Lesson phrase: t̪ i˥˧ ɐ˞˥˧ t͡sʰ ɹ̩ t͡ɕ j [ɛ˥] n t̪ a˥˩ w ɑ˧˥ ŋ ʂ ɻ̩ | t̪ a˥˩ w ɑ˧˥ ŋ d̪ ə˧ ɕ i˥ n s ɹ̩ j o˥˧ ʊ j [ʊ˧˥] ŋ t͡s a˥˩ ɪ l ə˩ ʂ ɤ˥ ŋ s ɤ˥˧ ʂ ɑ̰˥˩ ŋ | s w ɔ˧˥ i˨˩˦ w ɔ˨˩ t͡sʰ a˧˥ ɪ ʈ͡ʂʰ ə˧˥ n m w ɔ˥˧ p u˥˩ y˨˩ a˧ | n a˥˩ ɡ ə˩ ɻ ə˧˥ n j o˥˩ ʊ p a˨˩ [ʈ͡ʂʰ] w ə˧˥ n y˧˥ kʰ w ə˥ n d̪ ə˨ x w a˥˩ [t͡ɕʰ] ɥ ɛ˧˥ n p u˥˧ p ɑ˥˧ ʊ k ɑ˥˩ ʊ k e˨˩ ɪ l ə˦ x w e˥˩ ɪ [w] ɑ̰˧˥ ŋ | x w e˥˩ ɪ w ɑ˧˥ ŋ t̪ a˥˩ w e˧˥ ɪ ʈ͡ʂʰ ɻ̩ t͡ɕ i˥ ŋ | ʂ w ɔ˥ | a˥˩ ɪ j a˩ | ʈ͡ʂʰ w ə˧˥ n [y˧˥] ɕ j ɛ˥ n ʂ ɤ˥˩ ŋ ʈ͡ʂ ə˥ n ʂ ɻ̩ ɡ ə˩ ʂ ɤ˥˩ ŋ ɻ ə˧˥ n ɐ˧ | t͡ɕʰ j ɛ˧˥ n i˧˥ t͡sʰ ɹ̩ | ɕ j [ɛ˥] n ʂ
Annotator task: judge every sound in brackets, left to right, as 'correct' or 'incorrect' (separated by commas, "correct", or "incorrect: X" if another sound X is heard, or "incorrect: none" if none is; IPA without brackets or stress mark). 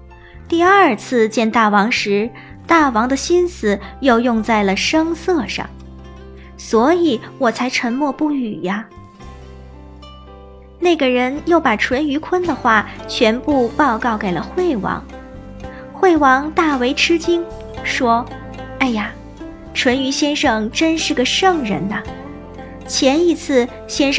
incorrect: ɛ˥˧, incorrect: ʊ˥˧, correct, correct, correct, correct, correct